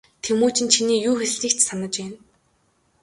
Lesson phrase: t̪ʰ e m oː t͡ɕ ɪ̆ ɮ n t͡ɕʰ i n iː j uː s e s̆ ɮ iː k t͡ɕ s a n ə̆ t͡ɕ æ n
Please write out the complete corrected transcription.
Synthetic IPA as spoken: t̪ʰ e m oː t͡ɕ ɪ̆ n t͡ɕʰ i n iː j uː x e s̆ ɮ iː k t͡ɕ s a n ə̆ t͡ɕ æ n